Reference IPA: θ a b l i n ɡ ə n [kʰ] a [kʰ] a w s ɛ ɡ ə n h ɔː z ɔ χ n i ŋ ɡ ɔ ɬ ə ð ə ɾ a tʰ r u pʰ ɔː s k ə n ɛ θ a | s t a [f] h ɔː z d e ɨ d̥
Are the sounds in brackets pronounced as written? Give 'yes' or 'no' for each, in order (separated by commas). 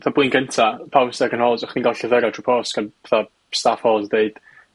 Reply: no, no, yes